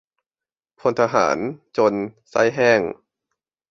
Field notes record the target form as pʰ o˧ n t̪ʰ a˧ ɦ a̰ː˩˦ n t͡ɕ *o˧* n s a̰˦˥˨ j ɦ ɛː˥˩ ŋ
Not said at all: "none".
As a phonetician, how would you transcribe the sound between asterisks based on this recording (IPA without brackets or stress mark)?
o˧